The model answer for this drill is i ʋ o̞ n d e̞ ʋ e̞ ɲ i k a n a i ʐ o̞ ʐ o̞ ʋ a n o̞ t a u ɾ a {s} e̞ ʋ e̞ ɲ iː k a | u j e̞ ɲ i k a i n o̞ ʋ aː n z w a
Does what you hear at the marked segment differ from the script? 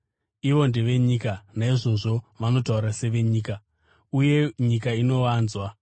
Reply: no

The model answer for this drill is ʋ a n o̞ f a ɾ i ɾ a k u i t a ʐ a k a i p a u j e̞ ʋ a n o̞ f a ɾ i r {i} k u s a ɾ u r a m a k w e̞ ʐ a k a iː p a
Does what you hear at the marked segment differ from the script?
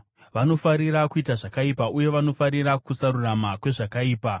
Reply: yes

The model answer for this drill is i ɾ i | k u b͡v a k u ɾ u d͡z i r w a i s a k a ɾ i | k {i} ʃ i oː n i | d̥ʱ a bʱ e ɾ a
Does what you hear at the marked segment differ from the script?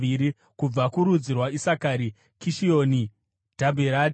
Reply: no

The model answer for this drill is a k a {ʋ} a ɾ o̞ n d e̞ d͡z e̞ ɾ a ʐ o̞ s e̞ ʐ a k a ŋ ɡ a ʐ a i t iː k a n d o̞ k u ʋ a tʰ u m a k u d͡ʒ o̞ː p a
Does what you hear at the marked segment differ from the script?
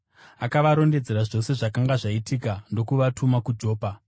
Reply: no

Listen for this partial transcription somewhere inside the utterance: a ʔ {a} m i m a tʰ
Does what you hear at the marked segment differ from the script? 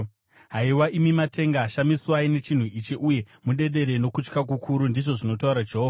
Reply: yes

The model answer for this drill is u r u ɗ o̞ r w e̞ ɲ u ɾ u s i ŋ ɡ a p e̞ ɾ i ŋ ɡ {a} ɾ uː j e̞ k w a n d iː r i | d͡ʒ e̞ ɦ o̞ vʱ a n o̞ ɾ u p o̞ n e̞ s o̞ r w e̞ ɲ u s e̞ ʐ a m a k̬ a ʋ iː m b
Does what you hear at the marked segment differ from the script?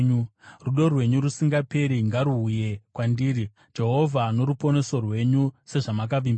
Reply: no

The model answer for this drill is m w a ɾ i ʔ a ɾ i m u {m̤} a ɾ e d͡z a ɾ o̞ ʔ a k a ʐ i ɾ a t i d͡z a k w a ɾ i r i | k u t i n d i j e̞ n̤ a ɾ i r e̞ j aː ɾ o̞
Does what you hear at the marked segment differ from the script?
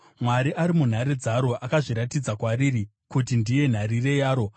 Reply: yes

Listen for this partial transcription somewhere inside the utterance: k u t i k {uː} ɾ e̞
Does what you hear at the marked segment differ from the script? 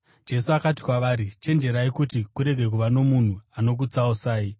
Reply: yes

